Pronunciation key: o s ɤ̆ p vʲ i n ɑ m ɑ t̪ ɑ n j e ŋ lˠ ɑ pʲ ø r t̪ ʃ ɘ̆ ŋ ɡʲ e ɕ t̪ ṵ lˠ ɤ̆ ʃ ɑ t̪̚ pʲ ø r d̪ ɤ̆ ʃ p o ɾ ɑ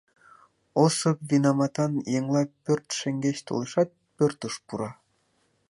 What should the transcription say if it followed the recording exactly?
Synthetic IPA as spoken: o s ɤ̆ p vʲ i n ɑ m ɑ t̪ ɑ n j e ŋ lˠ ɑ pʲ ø r t̪ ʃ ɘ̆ ŋ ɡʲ e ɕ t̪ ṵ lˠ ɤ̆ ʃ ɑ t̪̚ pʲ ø r t̪ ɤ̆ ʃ p u ɾ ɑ